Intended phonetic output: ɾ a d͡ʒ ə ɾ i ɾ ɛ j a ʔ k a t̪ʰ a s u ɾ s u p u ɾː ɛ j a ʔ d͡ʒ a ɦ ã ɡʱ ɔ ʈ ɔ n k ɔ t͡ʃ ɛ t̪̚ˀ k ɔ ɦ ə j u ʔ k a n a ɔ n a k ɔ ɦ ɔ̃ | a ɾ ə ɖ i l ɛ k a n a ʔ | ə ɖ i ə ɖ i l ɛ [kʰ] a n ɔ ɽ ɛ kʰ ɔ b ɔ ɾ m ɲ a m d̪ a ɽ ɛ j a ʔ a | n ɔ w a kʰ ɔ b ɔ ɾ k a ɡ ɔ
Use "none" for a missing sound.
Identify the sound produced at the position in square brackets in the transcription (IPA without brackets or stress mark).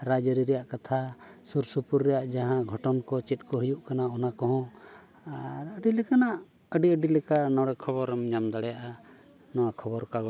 k